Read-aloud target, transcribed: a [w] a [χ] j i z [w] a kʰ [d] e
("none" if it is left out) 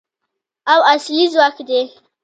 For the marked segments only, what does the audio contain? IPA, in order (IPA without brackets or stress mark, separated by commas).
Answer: w, s, w, d